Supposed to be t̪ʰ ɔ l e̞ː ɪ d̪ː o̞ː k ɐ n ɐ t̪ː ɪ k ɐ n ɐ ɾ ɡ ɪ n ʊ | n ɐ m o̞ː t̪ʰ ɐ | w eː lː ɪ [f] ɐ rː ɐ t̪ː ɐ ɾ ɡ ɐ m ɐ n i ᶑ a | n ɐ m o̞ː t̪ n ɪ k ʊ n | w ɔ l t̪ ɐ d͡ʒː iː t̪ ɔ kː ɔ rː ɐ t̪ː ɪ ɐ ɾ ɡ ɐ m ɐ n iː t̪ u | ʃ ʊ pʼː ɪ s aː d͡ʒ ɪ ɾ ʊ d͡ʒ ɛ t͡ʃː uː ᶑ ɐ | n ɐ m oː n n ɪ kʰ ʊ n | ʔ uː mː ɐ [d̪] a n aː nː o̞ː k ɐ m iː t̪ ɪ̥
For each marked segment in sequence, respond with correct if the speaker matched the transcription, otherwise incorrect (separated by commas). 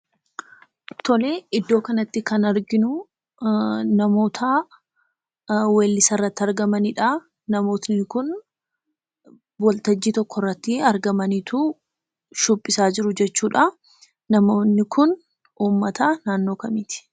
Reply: incorrect, incorrect